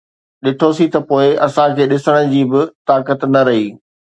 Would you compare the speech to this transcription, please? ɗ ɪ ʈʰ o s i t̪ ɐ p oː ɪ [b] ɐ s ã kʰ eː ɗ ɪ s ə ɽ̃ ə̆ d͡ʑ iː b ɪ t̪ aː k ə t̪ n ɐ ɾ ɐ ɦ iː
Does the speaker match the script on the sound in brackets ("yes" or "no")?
no